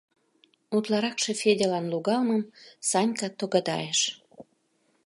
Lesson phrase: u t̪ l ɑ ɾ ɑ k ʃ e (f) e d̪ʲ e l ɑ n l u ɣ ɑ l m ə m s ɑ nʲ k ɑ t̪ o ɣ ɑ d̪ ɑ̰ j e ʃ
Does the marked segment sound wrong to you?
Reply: no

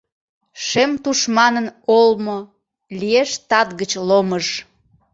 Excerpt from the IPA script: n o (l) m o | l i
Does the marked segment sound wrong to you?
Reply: no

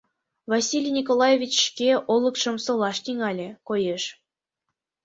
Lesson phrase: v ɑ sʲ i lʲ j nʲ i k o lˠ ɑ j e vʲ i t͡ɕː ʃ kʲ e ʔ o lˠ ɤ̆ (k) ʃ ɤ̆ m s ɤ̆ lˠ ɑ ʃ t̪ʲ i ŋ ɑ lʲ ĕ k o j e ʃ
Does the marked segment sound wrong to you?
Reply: no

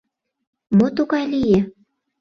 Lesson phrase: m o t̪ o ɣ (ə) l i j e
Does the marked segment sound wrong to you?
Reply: yes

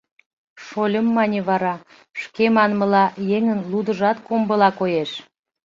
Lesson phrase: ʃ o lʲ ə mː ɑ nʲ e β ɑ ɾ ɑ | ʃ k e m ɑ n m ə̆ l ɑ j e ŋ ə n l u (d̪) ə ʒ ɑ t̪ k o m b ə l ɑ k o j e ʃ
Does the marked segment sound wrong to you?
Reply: no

